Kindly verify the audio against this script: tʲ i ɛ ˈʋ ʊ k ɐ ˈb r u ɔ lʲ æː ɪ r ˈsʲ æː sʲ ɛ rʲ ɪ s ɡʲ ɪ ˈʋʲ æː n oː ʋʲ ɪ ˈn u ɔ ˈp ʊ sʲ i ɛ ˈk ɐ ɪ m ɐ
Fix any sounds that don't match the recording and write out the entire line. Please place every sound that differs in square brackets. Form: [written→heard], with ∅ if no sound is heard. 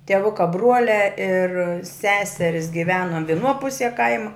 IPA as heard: tʲ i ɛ ˈʋ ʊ k ɐ ˈb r u ɔ lʲ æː ɪ r ˈsʲ æː sʲ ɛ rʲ ɪ s ɡʲ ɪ ˈʋʲ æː n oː ʋʲ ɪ ˈn u ɔ ˈp ʊ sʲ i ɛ ˈk ɐ ɪ m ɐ